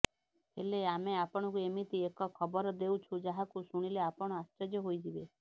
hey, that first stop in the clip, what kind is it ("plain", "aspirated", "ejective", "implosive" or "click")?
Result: plain